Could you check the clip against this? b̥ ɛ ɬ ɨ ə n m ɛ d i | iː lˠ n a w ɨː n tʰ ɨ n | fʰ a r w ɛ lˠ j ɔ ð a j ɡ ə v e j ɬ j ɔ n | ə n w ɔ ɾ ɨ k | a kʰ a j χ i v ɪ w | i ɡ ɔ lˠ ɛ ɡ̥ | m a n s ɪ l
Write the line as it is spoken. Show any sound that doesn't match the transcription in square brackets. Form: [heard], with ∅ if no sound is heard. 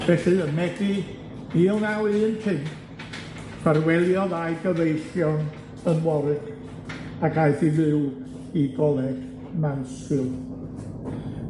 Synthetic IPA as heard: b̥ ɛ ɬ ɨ ə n m ɛ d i | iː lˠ n a w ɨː n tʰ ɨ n | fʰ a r w ɛ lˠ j ɔ ð a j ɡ ə v e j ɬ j ɔ n | ə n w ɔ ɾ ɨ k | a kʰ a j [θ] i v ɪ w | i ɡ ɔ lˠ ɛ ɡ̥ | m a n s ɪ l